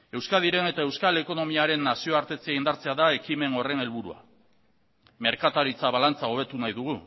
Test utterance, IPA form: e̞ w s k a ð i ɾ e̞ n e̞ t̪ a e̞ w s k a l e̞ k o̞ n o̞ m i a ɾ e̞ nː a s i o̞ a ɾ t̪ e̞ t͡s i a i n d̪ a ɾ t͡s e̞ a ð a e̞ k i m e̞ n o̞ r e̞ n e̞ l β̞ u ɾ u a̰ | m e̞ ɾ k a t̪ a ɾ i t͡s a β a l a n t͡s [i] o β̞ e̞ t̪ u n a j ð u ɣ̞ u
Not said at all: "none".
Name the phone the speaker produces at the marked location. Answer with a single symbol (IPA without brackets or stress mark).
a